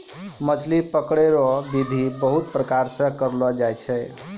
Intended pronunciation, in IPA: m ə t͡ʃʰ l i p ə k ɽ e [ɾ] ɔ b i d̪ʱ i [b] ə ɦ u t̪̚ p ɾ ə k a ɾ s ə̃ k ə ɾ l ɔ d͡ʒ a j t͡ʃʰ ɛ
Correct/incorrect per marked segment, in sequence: correct, correct

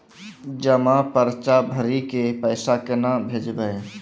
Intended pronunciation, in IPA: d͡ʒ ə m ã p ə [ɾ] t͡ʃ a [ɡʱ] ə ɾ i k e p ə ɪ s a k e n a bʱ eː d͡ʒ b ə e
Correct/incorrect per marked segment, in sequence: correct, incorrect

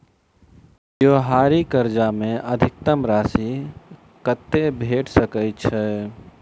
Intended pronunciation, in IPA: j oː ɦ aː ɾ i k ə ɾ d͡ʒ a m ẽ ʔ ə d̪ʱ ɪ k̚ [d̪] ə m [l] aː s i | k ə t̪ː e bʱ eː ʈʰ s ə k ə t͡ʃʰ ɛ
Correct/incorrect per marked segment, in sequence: incorrect, incorrect

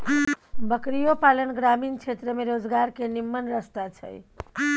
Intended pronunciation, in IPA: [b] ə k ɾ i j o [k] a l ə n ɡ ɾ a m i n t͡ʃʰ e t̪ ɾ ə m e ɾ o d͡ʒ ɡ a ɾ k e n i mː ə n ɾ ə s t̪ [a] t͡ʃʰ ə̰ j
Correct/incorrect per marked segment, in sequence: correct, incorrect, correct

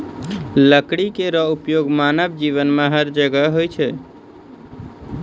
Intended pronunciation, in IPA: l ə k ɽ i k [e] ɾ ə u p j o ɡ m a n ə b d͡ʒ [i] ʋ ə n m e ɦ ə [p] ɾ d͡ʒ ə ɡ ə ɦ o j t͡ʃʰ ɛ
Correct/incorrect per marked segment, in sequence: correct, correct, incorrect

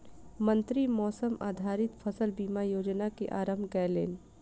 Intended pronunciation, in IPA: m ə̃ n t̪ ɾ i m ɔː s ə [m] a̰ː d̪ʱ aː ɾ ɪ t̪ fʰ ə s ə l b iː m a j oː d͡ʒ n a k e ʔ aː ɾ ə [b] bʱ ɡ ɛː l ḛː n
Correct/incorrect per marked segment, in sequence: correct, incorrect

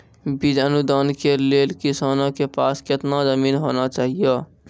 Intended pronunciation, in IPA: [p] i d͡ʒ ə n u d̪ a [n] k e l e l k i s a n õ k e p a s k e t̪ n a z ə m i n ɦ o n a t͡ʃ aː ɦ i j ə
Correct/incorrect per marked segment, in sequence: incorrect, correct

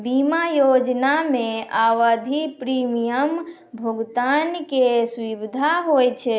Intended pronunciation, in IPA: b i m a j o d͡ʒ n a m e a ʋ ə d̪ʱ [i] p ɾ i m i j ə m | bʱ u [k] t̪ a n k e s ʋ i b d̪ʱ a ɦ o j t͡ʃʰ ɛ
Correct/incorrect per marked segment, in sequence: correct, incorrect

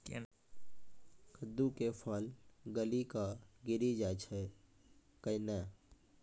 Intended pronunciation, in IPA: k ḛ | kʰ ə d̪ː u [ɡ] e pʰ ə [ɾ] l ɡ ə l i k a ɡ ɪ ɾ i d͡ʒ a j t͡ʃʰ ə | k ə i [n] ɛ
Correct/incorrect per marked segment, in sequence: incorrect, incorrect, correct

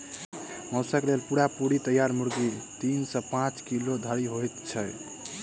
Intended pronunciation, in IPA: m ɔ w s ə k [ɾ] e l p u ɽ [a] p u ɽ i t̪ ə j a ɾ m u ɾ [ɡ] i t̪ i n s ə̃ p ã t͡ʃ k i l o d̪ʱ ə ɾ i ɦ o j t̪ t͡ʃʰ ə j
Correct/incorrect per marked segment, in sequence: incorrect, correct, correct

